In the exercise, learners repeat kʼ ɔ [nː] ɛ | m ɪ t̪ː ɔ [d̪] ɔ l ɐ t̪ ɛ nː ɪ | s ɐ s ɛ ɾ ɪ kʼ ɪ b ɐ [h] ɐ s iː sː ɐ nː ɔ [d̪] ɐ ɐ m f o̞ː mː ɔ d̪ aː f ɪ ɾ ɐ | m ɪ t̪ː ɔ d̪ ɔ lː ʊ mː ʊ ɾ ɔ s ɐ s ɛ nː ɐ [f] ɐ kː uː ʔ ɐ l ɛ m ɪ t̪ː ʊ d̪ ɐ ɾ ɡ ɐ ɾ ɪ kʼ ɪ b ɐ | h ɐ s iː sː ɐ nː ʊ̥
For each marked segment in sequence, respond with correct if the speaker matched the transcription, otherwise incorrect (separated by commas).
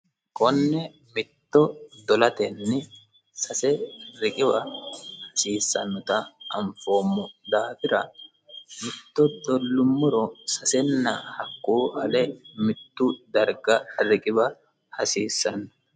correct, correct, correct, incorrect, incorrect